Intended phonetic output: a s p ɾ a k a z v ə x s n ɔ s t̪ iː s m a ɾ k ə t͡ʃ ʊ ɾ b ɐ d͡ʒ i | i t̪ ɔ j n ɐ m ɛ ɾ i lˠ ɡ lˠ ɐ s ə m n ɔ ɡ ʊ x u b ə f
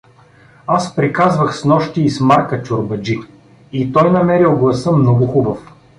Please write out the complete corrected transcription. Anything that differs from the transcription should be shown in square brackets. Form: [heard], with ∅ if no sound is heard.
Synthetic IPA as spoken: a s p ɾ [i] k a z v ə x s n ɔ [ʃ] t̪ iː s m a ɾ k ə t͡ʃ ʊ ɾ b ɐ d͡ʒ i | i t̪ ɔ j n ɐ m ɛ ɾ i lˠ ɡ lˠ ɐ s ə m n ɔ ɡ ʊ x u b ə f

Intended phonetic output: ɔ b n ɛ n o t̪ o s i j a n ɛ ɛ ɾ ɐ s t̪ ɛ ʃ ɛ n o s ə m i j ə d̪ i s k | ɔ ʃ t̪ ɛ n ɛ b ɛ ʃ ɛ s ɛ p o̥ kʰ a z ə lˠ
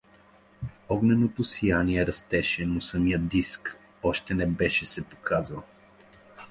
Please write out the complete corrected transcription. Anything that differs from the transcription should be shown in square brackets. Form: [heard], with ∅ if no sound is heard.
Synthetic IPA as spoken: ɔ [ɡ] n ɛ n o t̪ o s i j a n [i] ɛ ɾ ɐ s t̪ ɛ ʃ ɛ n o s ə m i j ə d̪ i s k | ɔ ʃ t̪ ɛ n ɛ b ɛ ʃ ɛ s ɛ p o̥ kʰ a z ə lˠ

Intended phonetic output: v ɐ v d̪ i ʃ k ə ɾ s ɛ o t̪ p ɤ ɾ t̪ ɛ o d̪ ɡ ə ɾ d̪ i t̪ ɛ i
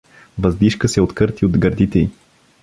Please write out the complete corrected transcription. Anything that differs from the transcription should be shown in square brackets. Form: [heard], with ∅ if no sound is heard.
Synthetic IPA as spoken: v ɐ [z] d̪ i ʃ k ə [∅] s ɛ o t̪ [k] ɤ ɾ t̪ [i] o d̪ ɡ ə ɾ d̪ i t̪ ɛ i

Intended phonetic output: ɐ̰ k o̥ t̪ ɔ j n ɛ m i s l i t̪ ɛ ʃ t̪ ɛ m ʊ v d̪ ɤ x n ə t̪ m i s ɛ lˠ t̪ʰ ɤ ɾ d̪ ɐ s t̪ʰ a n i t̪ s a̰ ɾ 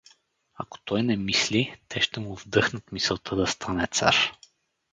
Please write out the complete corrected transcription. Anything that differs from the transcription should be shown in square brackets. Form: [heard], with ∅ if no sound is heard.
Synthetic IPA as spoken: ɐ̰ k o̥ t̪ ɔ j n ɛ m i s l i t̪ ɛ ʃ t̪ ɛ m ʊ v d̪ ɤ x n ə t̪ m i s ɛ lˠ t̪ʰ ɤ [∅] d̪ ɐ s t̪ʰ a n [ɛ] t̪ s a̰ ɾ

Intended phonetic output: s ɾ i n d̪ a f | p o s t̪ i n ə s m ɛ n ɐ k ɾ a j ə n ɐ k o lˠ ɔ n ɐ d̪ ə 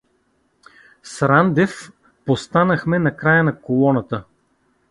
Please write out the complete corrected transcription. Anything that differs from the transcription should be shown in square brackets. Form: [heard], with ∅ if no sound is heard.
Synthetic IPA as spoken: s ɾ [a] n d̪ [ɛ] f | p o s t̪ [a] n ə [x] m ɛ n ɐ k ɾ a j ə n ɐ k o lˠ ɔ n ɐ [t̪] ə

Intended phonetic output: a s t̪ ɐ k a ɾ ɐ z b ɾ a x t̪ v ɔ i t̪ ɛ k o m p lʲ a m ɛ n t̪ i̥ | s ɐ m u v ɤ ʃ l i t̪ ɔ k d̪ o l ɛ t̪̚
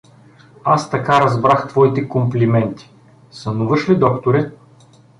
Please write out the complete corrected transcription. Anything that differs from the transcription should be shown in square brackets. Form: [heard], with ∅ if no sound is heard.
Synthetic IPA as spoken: a s t̪ ɐ k a ɾ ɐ z b ɾ a x t̪ v ɔ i t̪ ɛ k o m p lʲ [i] m ɛ n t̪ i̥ | s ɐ [n] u v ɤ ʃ l i [d̪] ɔ k [t̪] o [ɾ] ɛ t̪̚

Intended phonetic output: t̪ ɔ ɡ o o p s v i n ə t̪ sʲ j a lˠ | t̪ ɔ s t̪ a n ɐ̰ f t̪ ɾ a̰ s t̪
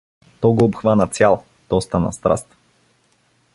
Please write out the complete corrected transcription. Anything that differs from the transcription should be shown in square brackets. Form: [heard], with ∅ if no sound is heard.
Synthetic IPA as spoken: t̪ ɔ ɡ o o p [x] v [a] n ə t̪ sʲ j a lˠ | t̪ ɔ s t̪ a n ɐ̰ [s] t̪ ɾ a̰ s t̪

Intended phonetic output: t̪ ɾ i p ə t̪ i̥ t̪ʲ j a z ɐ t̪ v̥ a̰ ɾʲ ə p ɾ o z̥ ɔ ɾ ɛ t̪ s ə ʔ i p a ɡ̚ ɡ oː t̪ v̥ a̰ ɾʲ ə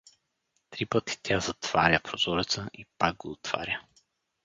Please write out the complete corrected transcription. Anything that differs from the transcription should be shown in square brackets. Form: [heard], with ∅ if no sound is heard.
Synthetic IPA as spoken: t̪ ɾ i p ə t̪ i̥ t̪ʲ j a z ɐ t̪ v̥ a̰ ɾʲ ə p ɾ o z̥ ɔ ɾ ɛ t̪ s ə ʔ i p a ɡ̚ ɡ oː t̪ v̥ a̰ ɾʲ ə

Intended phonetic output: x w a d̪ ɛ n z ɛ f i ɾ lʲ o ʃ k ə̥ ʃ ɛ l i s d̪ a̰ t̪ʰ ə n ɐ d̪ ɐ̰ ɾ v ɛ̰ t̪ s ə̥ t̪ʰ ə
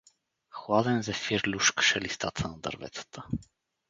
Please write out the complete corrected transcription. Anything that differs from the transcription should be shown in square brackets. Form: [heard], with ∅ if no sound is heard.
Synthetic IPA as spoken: x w a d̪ ɛ n z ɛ f i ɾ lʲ [u] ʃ k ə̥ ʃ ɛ l i s [t̪] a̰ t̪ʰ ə n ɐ d̪ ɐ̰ ɾ v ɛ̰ t̪ s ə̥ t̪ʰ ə

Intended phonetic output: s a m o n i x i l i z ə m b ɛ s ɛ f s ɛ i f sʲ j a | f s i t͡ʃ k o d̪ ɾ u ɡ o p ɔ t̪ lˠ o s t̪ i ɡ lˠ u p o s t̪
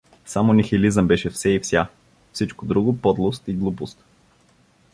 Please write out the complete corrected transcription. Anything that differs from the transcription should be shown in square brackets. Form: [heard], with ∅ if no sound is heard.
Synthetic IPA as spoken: s a m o n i x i l i z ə m b ɛ [ʃ] ɛ f s ɛ i f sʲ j a | f s i t͡ʃ k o d̪ ɾ u ɡ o p ɔ [d̪] lˠ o s t̪ i ɡ lˠ u p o s t̪

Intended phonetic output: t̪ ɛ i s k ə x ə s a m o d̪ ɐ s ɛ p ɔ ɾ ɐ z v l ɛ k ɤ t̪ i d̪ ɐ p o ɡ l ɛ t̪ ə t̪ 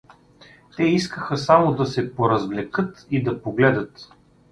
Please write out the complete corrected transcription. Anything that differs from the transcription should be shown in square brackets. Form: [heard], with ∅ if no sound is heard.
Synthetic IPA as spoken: t̪ ɛ i s k ə x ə s a m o d̪ ɐ s ɛ p [o] ɾ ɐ z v l ɛ k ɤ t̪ i d̪ ɐ p o ɡ l ɛ [d̪] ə t̪

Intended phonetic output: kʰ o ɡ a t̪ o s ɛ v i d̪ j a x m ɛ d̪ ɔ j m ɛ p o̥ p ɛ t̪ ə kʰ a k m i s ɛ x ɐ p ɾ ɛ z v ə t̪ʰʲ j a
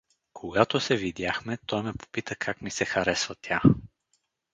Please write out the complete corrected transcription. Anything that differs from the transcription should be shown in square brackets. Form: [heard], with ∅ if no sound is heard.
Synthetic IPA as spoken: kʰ o ɡ a t̪ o s ɛ v i d̪ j a x m ɛ [t̪] ɔ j m ɛ p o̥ p [i] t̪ ə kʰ a k m i s ɛ x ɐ [∅] ɾ ɛ [s] v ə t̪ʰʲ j a

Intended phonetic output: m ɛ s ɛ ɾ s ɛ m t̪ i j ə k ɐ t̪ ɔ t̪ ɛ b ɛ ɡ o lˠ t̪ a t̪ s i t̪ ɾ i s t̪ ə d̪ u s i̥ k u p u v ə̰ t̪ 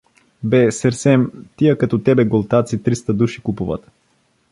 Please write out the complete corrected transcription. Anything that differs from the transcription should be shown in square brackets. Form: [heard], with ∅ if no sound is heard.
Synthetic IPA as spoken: [b] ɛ s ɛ ɾ s ɛ m t̪ i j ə k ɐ t̪ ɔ t̪ ɛ b ɛ ɡ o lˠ t̪ a t̪ s i t̪ ɾ i s t̪ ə d̪ u [ʃ] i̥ k u p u v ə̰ t̪

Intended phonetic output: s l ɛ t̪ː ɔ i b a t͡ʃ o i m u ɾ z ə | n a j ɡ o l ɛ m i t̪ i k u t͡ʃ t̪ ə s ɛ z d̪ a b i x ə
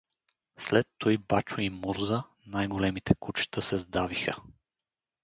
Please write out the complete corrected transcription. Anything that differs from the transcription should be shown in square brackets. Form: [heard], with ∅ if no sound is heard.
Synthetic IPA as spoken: s l ɛ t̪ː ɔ [j] b a t͡ʃ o i m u ɾ z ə | n a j ɡ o l ɛ m i t̪ [ɛ] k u t͡ʃ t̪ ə s ɛ z d̪ a [v] i x ə

